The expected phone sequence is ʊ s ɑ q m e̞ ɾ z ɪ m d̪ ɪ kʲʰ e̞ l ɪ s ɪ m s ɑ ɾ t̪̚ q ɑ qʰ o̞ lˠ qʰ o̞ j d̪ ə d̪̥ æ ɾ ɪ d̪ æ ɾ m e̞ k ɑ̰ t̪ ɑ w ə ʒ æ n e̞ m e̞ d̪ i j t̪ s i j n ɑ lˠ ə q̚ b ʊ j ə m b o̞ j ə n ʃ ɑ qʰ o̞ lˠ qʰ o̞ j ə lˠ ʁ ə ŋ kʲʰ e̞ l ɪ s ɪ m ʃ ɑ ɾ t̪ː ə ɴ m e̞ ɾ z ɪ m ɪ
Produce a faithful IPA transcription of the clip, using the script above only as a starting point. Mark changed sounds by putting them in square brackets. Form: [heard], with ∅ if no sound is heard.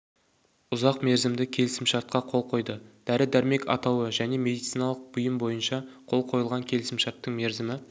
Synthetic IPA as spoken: ʊ [z] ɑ q m e̞ ɾ z ɪ m d̪ ɪ kʲʰ e̞ l ɪ s ɪ m [ʃ] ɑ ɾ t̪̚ q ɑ qʰ o̞ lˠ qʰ o̞ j d̪ ə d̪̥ æ ɾ ɪ d̪ æ ɾ m e̞ k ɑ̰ t̪ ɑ w ə ʒ æ n e̞ m e̞ d̪ i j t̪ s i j n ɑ lˠ ə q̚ b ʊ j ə m b o̞ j ə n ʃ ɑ qʰ o̞ lˠ qʰ o̞ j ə lˠ ʁ [ɑ] ŋ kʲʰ e̞ l ɪ s ɪ m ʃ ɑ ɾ t̪ː ə ɴ m e̞ ɾ z ɪ m ɪ